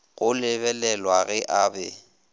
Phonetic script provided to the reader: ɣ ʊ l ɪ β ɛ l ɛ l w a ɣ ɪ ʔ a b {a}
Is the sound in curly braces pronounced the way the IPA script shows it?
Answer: no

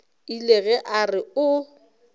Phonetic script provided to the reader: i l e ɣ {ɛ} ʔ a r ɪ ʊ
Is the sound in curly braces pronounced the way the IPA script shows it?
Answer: yes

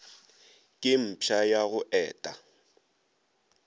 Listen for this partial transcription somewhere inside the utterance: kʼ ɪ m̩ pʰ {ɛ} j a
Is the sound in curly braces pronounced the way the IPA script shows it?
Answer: no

